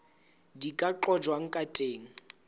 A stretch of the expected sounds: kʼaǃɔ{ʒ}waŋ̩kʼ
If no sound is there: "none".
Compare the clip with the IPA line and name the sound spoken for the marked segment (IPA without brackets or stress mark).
d͡ʒ